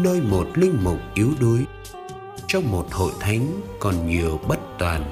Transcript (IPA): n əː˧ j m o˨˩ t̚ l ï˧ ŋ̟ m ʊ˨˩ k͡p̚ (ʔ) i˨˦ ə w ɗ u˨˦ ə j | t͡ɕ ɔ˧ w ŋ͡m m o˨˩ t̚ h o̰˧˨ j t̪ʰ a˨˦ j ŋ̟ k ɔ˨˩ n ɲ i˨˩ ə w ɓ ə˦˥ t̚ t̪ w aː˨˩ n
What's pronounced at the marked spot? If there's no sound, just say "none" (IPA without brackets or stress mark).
ʔ